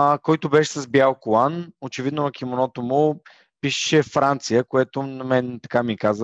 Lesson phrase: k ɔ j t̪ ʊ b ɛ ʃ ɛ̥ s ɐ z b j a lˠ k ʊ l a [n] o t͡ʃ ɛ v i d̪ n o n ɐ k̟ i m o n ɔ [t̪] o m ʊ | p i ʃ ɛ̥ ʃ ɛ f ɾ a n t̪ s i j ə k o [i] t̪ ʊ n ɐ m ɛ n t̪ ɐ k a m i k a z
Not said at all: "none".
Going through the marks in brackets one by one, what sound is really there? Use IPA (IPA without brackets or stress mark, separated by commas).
n, t̪, ɛ